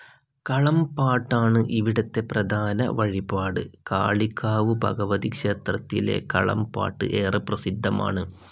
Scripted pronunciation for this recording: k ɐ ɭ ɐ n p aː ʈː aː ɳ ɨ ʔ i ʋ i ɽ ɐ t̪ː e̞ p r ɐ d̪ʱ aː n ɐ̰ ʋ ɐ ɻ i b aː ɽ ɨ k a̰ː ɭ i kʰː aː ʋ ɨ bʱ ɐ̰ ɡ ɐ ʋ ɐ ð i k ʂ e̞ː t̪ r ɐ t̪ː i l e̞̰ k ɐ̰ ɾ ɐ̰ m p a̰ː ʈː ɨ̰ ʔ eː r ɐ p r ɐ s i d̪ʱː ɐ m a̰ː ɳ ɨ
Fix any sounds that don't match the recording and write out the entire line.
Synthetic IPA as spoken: k ɐ ɭ ɐ m p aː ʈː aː ɳ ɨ ʔ i ʋ i ɽ ɐ t̪ː e̞ p r ɐ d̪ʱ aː n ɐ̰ ʋ ɐ ɻ i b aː ɽ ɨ k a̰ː ɭ i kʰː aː ʋ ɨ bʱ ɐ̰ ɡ ɐ ʋ ɐ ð i k ʂ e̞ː t̪ r ɐ t̪ː i l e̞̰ k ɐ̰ ɭ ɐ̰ m p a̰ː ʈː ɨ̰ ʔ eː r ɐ p r ɐ s i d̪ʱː ɐ m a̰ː ɳ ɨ

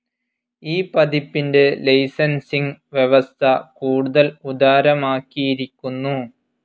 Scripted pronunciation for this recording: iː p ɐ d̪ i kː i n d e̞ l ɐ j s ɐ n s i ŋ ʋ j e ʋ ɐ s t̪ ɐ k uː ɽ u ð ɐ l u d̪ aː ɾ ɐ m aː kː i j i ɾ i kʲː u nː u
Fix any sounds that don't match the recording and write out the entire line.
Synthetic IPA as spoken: iː p ɐ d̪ i pː i n d e̞ l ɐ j s ɐ n s i ŋ ʋ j e ʋ ɐ s t̪ʰ ɐ k uː ɽ u ð ɐ l u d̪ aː ɾ ɐ m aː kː i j i ɾ i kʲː u nː u

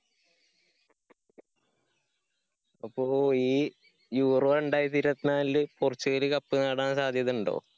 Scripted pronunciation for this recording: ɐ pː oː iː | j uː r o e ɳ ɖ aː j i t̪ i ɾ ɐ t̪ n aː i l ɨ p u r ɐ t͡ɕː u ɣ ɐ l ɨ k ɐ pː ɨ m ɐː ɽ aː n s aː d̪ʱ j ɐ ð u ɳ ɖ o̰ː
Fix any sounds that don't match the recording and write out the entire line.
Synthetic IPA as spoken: ɐ pː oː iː | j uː r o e ɳ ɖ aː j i t̪ i ɾ ɐ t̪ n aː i l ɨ p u r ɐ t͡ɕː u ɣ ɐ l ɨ k ɐ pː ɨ n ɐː ɽ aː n s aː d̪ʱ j ɐ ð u ɳ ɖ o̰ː

